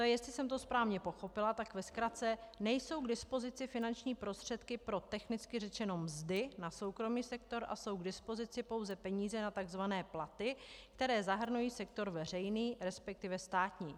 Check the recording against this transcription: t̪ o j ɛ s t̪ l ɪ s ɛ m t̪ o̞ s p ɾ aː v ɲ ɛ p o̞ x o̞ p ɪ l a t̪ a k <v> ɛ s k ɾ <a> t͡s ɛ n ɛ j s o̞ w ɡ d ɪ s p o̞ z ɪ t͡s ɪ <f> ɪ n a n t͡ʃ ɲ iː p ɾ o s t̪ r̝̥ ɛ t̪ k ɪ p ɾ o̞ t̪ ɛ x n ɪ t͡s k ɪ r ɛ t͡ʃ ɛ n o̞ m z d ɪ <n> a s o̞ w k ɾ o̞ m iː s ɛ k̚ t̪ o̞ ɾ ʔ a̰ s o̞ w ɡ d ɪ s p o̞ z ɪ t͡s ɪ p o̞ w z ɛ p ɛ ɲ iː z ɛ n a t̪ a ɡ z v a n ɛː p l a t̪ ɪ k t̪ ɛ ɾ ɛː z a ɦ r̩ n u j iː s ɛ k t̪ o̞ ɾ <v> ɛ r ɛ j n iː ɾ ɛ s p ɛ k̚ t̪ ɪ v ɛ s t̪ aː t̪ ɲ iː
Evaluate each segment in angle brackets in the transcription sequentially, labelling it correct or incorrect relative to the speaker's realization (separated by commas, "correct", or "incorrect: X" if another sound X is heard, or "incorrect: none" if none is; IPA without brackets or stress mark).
correct, correct, correct, correct, correct